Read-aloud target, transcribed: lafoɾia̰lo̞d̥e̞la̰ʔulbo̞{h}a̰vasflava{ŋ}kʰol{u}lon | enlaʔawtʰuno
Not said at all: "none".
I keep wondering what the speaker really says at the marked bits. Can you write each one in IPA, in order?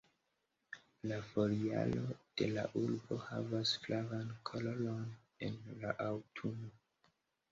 h, n, o

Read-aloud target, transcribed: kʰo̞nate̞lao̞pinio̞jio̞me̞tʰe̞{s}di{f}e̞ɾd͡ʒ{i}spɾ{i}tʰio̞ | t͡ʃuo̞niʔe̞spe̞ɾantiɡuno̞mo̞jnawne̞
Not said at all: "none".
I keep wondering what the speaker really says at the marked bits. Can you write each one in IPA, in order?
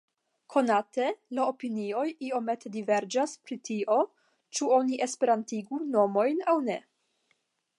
none, v, a, i

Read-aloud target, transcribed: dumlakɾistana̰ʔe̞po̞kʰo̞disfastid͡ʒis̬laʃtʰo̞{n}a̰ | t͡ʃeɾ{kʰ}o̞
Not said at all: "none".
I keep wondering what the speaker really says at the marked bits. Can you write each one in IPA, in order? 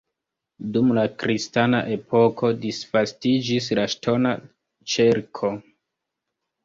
n, kʰ

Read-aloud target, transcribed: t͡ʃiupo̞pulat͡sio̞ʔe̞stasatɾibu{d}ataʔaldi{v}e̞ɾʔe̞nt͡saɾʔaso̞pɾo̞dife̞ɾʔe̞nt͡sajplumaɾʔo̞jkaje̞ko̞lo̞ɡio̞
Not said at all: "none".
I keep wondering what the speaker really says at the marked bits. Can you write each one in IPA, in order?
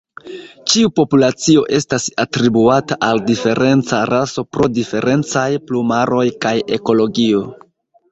none, f

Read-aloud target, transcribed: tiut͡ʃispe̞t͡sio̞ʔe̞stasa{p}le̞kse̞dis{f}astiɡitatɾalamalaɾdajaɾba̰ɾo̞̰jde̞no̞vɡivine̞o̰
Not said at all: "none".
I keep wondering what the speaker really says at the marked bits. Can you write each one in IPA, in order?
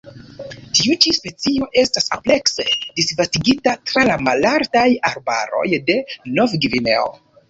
p, v

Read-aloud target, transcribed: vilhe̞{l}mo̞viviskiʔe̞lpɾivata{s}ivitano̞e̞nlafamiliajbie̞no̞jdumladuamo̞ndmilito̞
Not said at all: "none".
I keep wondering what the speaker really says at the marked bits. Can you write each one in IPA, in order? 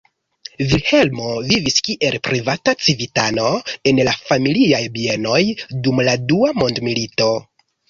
l, t͡s

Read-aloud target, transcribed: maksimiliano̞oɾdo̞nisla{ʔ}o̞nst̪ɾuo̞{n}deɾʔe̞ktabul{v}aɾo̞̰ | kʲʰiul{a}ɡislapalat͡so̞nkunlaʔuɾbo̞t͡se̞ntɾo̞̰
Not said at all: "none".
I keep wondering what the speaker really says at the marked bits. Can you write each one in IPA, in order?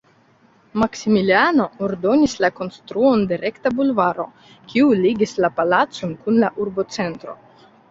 k, n, v, i

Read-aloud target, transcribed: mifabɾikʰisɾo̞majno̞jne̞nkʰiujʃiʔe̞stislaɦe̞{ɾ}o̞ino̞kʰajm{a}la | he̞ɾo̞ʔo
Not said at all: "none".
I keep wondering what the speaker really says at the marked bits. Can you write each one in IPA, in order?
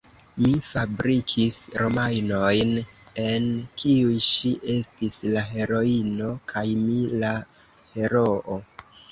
ɾ, i

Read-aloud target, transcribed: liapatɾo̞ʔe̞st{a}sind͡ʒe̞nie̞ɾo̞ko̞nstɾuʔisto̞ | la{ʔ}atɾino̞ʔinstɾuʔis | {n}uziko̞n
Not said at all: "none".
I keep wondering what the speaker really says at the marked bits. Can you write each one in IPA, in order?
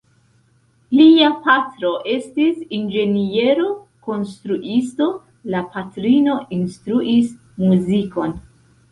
i, p, m

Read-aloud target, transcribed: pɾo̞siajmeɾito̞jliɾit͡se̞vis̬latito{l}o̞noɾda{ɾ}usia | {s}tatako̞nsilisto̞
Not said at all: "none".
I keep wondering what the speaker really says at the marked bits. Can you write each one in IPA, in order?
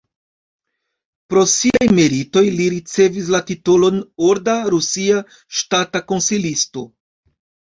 l, ɾ, ʃ

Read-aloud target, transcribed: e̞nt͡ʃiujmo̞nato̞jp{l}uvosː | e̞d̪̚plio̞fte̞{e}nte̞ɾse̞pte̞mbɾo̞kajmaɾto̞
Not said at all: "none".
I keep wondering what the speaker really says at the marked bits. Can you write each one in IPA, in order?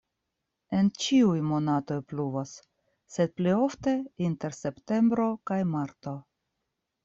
l, i

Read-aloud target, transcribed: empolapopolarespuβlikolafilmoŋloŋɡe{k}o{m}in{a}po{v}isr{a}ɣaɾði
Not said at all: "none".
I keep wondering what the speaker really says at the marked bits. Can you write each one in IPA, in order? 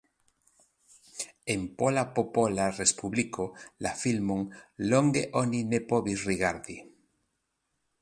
ʔ, n, e, β, i

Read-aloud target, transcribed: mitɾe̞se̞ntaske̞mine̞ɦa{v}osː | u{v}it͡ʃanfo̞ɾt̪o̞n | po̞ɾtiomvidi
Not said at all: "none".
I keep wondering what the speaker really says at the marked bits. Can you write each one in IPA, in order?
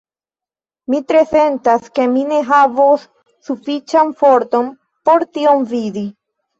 v, f

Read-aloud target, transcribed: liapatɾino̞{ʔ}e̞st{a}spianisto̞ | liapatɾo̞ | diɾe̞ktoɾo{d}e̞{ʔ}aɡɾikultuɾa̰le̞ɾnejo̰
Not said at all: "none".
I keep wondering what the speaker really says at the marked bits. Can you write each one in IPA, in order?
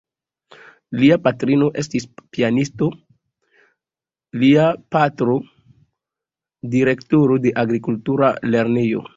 ʔ, i, d, ʔ

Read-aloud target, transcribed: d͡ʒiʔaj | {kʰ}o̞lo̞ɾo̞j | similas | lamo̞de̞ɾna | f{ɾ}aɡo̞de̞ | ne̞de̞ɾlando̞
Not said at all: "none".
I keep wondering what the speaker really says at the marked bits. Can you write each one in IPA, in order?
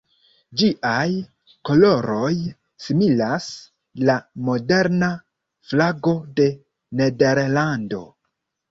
k, l

